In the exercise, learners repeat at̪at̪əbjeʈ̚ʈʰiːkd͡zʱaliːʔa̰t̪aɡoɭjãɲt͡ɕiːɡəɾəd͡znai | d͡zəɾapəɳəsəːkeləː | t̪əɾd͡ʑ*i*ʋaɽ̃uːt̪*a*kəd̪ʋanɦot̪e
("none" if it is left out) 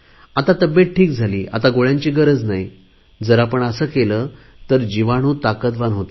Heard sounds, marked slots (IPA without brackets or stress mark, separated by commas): i, a